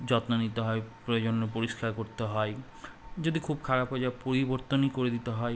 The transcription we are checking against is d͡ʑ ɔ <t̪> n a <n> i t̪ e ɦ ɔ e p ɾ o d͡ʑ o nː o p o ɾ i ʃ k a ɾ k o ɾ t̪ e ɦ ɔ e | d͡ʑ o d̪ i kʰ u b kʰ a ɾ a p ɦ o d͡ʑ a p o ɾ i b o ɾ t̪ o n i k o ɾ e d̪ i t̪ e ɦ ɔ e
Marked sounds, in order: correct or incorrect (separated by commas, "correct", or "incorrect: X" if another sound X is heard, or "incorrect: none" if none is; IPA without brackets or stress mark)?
correct, correct